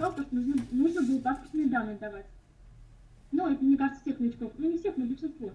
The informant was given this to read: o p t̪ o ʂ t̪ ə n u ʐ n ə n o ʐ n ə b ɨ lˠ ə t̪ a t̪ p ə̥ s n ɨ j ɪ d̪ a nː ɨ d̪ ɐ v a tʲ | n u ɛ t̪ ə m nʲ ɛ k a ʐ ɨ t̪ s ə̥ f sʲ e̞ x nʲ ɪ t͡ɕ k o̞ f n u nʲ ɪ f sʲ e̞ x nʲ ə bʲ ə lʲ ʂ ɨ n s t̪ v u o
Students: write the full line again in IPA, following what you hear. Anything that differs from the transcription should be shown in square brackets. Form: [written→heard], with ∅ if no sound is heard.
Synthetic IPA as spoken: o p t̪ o ʂ t̪ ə n u ʐ n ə n [o→u] ʐ n ə b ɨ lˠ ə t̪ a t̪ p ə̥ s n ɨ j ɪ d̪ a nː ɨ d̪ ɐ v a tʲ | n u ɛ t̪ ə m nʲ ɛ k a ʐ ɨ t̪ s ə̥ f sʲ e̞ x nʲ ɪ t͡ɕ k o̞ f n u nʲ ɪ f sʲ e̞ x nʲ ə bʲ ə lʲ ʂ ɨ n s t̪ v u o